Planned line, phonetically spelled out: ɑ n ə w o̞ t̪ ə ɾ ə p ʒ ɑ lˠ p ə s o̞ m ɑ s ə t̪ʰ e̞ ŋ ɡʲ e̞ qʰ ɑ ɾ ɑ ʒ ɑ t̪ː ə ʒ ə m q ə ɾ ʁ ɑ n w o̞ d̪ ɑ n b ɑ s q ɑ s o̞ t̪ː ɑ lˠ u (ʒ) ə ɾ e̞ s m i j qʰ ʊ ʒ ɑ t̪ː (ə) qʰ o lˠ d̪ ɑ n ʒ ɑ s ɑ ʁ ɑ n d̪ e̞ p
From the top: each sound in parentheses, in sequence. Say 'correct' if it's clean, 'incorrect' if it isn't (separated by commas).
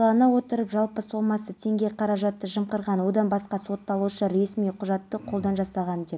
incorrect, correct